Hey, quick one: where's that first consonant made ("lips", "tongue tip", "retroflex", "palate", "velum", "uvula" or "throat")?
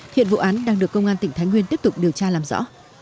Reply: throat